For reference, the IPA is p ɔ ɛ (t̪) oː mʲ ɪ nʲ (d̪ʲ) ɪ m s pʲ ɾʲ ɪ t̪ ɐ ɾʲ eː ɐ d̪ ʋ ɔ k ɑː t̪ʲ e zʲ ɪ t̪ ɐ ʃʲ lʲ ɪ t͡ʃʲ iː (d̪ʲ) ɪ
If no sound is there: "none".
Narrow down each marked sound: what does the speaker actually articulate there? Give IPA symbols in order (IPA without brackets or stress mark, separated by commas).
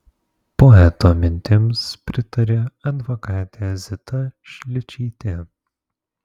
t̪, t̪ʲ, t̪ʲ